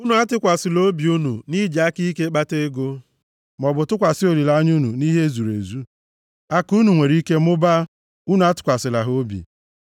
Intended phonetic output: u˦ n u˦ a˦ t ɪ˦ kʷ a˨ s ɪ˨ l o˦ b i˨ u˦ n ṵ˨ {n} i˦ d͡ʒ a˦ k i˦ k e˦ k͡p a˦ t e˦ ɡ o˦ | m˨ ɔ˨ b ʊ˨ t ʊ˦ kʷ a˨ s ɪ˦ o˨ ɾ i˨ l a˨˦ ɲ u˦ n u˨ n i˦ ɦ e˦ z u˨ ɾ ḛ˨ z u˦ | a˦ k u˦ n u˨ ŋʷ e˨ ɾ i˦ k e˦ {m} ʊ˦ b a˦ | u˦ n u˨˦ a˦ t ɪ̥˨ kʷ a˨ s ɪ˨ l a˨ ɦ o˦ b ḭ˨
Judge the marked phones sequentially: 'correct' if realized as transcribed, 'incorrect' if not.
correct, correct

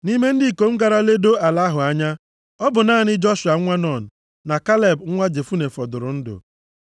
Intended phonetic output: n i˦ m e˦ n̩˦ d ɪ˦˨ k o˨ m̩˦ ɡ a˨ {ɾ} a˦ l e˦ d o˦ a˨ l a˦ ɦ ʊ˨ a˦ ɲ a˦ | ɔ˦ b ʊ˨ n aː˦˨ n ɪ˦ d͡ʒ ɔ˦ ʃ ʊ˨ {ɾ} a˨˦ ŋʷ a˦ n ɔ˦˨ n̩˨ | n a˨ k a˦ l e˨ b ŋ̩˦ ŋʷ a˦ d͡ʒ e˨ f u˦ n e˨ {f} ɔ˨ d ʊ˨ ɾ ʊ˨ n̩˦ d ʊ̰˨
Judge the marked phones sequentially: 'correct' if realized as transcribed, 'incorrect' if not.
correct, incorrect, correct

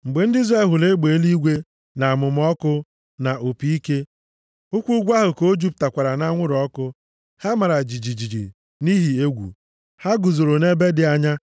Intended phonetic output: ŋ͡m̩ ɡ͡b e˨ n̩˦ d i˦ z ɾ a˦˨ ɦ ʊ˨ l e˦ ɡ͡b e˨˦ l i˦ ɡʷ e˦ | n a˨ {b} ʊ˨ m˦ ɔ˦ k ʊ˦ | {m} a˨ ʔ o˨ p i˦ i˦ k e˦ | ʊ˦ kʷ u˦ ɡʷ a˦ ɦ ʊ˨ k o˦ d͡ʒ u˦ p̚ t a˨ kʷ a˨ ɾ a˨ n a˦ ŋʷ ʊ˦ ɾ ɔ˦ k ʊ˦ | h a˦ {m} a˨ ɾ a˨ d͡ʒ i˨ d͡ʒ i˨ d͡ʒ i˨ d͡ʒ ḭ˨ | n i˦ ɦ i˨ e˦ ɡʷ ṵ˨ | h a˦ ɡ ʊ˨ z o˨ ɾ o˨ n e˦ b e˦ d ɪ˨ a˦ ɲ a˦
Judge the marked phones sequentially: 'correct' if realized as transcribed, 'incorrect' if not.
incorrect, incorrect, correct

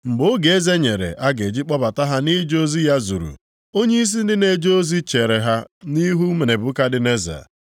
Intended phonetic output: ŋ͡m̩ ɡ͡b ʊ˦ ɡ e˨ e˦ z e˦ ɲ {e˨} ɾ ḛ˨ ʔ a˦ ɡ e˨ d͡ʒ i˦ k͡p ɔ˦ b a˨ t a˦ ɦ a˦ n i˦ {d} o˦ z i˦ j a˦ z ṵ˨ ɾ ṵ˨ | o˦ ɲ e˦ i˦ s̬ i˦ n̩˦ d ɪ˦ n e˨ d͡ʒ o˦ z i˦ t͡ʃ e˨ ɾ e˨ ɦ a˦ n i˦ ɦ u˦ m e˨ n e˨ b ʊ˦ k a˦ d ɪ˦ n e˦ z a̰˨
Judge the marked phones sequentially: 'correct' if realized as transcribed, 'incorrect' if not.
correct, incorrect

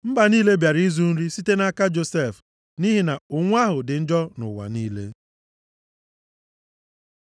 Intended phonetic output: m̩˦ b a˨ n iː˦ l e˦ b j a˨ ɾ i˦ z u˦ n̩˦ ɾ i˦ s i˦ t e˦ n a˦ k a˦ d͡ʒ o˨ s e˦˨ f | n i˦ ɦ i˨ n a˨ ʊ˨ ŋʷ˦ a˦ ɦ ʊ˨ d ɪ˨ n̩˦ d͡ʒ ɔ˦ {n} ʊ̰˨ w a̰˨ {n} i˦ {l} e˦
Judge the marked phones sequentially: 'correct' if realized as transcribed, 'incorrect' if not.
correct, correct, correct

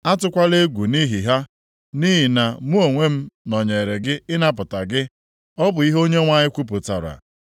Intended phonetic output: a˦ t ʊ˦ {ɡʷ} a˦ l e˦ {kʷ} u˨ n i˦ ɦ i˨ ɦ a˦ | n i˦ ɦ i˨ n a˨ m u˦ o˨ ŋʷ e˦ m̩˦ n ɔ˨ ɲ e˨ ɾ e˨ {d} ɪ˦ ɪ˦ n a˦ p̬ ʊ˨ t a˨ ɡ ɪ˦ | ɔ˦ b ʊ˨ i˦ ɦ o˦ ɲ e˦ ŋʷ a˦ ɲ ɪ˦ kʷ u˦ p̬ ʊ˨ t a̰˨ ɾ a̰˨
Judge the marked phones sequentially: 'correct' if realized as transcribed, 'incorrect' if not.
incorrect, incorrect, incorrect

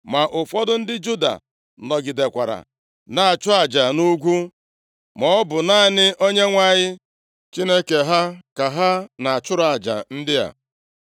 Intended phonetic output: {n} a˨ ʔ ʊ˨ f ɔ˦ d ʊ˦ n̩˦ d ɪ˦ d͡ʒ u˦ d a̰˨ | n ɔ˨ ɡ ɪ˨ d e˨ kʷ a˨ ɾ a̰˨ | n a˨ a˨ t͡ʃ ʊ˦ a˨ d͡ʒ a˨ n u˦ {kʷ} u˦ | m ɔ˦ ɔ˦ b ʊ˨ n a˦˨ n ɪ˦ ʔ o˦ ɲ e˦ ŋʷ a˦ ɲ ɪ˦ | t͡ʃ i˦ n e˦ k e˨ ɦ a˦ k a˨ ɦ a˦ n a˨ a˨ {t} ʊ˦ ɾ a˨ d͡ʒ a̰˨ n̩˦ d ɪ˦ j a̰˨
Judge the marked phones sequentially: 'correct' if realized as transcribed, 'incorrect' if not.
incorrect, incorrect, incorrect

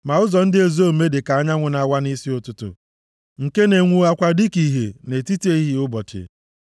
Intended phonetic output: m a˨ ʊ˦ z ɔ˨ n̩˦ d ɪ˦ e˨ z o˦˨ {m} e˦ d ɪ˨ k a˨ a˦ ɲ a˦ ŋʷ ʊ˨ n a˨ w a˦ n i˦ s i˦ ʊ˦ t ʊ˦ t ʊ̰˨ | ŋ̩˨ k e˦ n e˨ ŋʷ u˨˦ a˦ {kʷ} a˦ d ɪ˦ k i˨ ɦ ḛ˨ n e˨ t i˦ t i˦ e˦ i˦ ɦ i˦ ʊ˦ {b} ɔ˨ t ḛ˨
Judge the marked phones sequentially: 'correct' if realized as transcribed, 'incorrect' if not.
correct, correct, correct

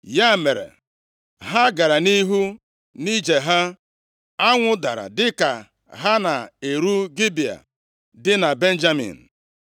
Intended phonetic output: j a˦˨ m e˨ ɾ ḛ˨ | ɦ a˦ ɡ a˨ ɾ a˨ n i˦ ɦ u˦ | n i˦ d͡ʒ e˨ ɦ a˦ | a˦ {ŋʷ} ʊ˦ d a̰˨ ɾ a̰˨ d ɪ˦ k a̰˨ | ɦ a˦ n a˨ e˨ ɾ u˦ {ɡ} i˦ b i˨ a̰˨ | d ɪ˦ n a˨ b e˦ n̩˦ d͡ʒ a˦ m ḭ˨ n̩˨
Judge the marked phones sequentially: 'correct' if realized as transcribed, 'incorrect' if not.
correct, correct

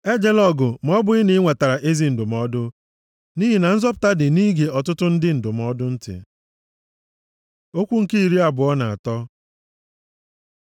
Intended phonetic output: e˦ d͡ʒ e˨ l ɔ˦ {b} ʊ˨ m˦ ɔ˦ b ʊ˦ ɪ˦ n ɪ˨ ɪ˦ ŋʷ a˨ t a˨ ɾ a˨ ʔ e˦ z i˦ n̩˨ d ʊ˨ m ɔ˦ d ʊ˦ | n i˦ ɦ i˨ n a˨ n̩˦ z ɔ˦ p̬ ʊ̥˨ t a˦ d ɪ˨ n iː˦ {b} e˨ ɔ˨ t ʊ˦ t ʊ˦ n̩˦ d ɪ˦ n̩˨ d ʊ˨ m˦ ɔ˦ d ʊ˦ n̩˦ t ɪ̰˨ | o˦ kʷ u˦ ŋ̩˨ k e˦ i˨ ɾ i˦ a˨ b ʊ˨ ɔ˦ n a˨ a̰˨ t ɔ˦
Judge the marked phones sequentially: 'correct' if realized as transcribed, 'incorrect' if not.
incorrect, incorrect

